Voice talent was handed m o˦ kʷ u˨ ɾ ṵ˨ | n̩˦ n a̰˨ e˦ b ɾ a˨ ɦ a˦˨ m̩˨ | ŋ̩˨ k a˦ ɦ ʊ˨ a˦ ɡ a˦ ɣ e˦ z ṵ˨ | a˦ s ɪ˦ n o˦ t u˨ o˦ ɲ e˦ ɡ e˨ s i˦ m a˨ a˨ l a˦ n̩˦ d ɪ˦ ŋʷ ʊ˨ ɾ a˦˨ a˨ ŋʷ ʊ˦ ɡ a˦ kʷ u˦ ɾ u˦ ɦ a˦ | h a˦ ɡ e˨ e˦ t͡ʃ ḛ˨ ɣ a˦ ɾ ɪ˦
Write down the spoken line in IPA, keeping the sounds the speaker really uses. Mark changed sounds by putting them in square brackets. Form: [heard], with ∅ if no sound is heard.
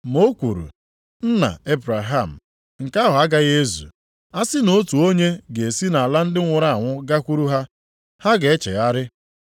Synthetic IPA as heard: m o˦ kʷ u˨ ɾ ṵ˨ | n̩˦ n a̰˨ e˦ b ɾ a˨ ɦ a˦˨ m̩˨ | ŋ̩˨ k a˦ ɦ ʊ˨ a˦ ɡ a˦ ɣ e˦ z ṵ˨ | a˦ s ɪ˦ n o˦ t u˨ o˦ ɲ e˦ ɡ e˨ s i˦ [n] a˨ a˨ l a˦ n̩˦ d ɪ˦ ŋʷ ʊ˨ ɾ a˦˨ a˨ ŋʷ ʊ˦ ɡ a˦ kʷ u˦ ɾ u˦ ɦ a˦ | h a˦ ɡ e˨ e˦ t͡ʃ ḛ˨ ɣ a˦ ɾ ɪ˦